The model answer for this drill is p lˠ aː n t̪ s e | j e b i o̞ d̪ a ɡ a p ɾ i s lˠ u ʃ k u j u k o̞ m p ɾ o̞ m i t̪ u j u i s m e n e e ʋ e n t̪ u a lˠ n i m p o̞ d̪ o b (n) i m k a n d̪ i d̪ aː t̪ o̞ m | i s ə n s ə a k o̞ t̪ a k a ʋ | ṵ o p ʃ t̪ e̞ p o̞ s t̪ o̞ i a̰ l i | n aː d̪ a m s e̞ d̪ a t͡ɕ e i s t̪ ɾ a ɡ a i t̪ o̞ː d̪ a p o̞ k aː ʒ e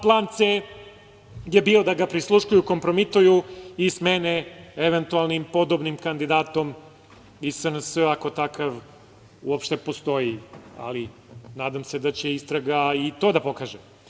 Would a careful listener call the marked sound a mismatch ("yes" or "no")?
no